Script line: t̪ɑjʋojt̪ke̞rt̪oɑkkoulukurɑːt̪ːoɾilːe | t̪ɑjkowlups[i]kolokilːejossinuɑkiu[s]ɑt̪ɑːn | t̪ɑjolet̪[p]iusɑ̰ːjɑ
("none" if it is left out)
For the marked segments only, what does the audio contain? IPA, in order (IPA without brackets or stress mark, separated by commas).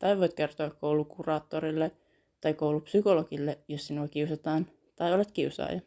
y, s, k